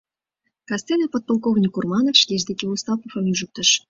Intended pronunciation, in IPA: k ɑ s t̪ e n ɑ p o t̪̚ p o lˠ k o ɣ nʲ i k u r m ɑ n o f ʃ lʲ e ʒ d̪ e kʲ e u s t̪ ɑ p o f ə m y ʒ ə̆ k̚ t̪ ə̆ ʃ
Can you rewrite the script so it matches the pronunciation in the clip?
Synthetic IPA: k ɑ s t̪ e n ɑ p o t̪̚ p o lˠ k o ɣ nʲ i k u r m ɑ n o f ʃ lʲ e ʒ d̪ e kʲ e u s t̪ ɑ p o f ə m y ʒ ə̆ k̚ t̪ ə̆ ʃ